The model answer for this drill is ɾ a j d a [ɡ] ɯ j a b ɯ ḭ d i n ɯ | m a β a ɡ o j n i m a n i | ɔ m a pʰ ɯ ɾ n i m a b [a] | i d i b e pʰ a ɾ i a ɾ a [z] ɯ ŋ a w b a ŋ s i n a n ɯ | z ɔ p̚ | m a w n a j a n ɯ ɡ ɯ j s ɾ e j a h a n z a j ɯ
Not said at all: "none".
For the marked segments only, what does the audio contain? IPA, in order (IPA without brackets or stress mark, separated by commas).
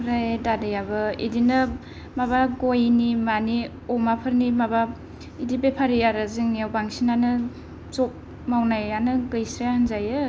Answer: d, a, z